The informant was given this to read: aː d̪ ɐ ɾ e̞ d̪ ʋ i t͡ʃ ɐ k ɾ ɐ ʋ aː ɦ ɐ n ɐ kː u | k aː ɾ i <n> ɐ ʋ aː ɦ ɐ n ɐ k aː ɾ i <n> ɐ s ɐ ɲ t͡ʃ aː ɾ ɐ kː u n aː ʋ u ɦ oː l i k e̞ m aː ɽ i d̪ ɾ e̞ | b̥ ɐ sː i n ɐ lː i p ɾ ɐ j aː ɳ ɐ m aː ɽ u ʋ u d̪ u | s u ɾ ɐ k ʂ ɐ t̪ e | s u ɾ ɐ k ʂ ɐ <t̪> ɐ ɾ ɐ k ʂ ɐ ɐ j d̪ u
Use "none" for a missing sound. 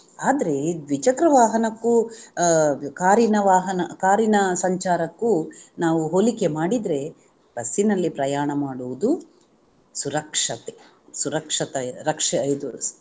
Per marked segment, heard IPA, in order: n, n, t̪

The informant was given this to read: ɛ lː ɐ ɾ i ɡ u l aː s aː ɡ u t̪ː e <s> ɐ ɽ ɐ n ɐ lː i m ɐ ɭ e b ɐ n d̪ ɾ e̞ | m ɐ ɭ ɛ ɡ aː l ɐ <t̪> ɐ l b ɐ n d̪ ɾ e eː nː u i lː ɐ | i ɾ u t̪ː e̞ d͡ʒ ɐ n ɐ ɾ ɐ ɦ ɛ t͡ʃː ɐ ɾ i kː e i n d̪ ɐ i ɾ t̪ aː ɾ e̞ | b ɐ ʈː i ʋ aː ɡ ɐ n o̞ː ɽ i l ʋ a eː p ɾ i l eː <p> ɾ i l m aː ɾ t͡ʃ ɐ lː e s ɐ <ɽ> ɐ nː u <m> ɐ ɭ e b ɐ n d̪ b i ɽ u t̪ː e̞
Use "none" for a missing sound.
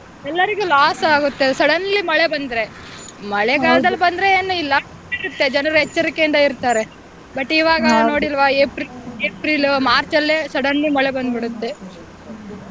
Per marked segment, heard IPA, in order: s, d̪, p, ɽ, m

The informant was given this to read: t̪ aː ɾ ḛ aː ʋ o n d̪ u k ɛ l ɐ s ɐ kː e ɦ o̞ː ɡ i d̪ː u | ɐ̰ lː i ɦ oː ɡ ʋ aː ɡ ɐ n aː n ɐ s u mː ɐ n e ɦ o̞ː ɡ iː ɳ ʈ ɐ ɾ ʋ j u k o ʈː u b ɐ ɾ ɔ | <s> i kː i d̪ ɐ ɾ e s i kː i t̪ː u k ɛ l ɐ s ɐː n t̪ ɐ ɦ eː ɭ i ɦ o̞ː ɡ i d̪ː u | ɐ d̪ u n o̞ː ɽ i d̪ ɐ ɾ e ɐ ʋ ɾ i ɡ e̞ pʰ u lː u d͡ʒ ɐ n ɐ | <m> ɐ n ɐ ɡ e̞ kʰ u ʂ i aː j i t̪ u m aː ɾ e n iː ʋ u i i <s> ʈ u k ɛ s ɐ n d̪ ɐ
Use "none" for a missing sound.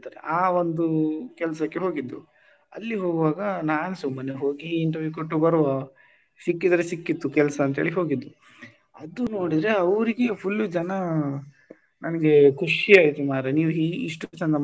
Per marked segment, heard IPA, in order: s, n, ʂ

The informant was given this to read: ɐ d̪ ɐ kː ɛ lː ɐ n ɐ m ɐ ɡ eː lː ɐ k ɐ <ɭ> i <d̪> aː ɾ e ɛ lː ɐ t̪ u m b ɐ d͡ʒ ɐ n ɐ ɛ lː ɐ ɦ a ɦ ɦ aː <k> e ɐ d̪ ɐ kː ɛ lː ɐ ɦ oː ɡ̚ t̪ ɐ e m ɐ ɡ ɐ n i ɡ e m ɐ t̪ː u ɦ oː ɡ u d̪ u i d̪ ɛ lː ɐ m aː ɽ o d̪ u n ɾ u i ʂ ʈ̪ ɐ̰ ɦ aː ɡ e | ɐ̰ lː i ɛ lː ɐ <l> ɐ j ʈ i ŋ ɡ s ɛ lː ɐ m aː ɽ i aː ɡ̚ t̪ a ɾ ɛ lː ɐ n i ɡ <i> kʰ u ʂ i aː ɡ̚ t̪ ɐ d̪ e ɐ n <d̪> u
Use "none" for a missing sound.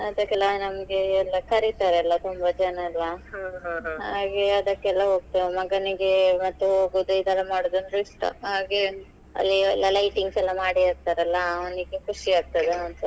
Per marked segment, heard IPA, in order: ɾ, t̪, ɡ, l, e, t̪

